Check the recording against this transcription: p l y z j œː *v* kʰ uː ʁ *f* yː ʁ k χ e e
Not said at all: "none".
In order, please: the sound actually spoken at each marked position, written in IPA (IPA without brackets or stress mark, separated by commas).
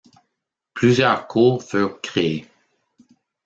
ʁ, f